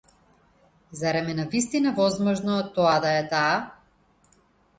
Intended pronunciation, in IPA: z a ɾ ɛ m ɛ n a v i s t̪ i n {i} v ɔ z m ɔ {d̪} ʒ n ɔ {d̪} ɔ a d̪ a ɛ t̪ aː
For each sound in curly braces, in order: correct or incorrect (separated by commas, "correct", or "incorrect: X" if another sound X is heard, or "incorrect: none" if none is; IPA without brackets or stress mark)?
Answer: incorrect: a, incorrect: none, incorrect: t̪